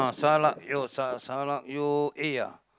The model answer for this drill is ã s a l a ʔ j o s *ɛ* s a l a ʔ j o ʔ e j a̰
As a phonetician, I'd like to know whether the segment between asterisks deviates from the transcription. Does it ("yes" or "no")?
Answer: yes